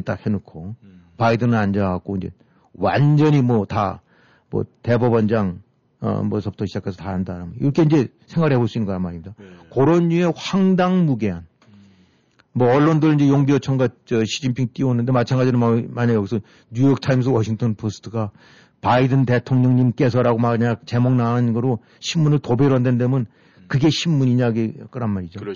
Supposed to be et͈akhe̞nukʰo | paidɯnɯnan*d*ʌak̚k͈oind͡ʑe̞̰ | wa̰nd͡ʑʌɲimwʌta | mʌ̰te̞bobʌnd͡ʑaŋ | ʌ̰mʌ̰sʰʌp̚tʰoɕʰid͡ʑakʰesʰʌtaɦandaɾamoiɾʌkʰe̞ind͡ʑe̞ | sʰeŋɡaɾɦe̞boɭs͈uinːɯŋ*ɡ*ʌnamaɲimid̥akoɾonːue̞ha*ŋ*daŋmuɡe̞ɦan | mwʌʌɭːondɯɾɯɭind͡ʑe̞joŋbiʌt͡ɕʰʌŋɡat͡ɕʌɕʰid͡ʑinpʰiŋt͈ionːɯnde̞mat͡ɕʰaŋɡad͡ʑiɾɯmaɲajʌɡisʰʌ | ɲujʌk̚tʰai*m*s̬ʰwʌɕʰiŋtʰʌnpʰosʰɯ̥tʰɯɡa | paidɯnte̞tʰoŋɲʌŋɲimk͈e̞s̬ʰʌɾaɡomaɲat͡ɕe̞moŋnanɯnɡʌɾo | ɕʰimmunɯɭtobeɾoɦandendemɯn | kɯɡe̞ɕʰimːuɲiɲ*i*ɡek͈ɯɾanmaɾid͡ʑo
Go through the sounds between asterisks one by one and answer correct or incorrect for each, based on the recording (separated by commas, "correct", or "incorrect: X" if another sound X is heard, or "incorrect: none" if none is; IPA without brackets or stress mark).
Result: incorrect: d͡ʑ, correct, correct, correct, incorrect: a